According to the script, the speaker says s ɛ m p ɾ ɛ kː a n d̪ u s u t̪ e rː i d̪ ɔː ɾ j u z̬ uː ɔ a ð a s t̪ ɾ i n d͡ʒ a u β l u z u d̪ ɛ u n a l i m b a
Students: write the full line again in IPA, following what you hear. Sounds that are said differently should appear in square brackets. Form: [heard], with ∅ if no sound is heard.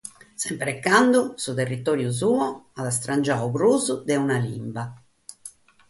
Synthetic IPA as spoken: s ɛ m p ɾ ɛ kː a n d̪ u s u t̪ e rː i [t̪] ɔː ɾ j u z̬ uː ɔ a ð a s t̪ ɾ [a] n d͡ʒ a u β [ɾ] u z u d̪ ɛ u n a l i m b a